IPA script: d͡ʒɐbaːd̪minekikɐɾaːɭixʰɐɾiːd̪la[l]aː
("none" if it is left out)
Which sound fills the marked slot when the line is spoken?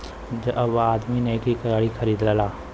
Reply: l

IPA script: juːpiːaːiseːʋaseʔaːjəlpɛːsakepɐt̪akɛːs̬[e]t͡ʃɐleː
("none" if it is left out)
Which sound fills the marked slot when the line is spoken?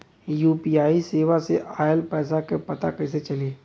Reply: e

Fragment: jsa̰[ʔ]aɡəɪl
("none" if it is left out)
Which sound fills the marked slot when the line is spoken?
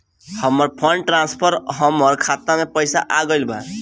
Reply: ʔ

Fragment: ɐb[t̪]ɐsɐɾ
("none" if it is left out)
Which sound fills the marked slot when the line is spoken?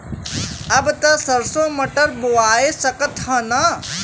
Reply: t̪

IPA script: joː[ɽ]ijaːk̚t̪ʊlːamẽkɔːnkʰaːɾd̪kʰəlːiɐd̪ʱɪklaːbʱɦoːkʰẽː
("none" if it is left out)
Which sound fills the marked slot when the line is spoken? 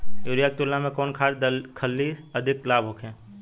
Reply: ɾ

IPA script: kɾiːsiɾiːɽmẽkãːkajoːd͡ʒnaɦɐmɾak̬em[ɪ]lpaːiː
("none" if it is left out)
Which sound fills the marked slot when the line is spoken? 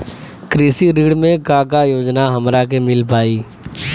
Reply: ɪ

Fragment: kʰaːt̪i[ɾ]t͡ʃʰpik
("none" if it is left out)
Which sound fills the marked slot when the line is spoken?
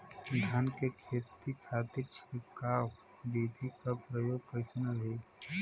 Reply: ɾ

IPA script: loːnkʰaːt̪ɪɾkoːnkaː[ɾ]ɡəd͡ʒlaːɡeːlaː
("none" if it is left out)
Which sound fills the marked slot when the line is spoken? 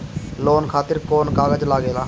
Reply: none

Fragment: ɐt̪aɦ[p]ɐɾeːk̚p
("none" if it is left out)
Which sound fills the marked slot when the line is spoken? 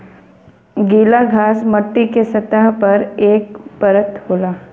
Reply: p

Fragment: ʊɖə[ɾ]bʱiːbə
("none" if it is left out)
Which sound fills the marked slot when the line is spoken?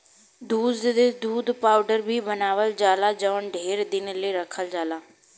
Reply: ɾ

